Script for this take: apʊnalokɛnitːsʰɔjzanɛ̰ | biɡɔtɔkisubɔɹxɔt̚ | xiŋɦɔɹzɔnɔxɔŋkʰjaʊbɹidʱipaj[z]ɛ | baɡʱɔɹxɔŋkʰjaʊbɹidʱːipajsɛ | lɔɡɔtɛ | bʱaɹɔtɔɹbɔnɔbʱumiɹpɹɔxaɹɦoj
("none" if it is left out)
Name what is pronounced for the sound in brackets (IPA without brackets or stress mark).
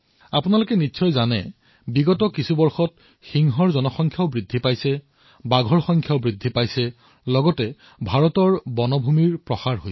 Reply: s